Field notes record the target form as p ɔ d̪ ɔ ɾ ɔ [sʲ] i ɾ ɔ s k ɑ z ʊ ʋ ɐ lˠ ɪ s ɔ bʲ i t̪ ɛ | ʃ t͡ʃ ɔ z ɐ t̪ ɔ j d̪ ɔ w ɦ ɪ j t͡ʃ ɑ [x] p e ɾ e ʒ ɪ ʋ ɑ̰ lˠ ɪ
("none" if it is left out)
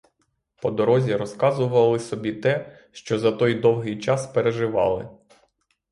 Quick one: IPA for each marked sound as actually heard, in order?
zʲ, s

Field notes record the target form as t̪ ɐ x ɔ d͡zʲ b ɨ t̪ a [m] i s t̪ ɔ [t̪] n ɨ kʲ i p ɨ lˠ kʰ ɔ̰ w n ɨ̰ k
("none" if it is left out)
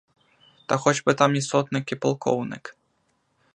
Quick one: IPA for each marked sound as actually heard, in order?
m, t̪

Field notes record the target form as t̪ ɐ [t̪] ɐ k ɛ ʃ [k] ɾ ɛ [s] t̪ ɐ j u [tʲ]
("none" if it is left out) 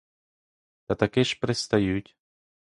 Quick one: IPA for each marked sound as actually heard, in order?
t̪, p, s, tʲ

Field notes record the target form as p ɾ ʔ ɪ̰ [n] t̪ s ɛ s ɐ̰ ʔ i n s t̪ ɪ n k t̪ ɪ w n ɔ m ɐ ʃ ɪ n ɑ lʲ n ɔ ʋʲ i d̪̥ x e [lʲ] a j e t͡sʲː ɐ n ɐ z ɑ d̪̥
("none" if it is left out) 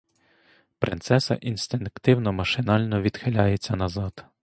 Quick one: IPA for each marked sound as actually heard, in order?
n, lʲ

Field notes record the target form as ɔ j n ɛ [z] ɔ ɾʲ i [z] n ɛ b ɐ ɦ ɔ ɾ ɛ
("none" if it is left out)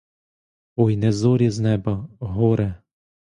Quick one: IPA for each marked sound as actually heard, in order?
z, z

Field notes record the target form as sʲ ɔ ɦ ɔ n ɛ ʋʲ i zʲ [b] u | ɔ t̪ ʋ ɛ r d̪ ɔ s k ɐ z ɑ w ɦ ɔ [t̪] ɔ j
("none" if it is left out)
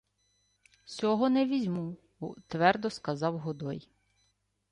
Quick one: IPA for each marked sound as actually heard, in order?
m, d̪

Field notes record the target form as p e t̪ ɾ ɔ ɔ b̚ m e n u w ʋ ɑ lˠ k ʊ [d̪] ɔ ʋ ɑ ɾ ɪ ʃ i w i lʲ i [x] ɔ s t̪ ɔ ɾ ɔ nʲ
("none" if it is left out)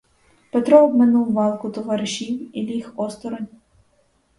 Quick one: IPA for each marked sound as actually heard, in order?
t̪, x

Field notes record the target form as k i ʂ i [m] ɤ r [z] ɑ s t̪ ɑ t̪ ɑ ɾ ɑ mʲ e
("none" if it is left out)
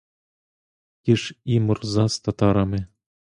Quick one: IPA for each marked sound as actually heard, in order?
m, z

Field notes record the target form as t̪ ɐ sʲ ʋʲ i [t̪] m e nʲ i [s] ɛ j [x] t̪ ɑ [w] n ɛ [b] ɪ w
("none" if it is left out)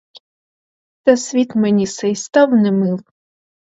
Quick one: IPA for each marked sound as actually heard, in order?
t̪, s, s, w, m

